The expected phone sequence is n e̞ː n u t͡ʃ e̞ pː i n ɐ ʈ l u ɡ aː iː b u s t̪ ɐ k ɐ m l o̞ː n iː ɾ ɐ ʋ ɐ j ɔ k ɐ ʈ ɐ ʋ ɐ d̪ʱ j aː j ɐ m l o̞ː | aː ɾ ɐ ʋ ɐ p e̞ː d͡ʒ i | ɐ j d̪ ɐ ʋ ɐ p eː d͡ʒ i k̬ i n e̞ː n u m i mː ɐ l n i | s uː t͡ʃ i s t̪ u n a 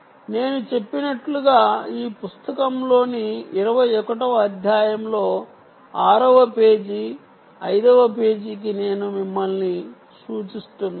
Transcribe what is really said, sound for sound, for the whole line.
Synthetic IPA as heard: n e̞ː n u t͡ʃ e̞ pː i n ɐ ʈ l u ɡ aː iː p u s t̪ ɐ k ɐ m l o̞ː n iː ɾ ɐ ʋ ɐ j ɔ k ɐ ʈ ɐ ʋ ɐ d̪ʱ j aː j ɐ m l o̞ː | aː ɾ ɐ ʋ ɐ p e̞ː d͡ʒ i | ɐ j d̪ ɐ ʋ ɐ p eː d͡ʒ i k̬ i n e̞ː n u m i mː ɐ l n i | s uː t͡ʃ i s t̪ u n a